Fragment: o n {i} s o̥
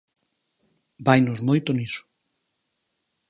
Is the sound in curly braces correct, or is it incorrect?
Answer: correct